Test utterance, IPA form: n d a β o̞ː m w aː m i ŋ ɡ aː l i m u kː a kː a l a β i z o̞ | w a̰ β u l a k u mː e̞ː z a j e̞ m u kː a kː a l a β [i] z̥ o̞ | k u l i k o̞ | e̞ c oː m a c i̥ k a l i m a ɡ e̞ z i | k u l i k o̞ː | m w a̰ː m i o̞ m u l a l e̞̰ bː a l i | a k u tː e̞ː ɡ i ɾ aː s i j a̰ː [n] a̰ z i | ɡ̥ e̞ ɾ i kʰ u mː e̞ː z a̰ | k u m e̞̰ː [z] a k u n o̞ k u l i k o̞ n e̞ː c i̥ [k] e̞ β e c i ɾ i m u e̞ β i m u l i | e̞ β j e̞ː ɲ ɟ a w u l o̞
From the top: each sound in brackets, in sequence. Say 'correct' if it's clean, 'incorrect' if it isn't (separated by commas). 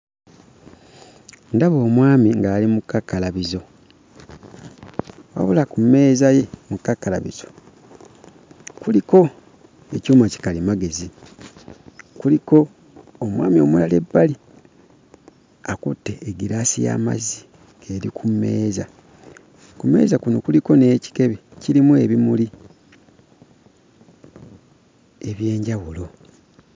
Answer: correct, incorrect, correct, correct